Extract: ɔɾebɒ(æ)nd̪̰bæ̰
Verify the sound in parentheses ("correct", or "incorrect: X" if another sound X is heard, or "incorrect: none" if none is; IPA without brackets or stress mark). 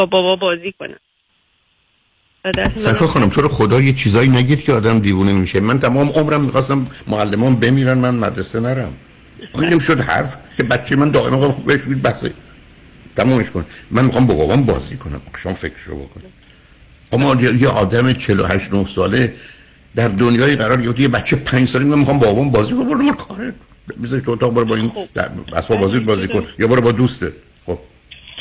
incorrect: i